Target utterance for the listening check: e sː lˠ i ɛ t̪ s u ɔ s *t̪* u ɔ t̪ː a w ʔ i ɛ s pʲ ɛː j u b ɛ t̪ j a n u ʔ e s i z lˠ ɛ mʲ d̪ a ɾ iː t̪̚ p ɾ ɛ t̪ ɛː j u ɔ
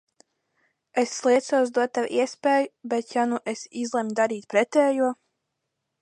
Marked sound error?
yes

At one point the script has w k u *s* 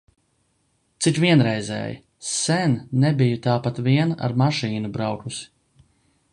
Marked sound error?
no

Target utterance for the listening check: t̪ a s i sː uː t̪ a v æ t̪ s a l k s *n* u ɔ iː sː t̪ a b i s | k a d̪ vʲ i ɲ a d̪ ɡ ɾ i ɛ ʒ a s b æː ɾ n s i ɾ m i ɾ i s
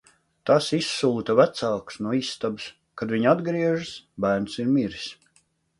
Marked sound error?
no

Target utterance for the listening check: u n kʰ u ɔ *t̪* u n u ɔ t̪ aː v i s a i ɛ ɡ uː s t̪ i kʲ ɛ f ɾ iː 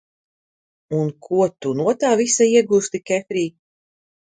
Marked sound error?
no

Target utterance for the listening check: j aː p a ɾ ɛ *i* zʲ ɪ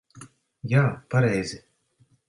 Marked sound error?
yes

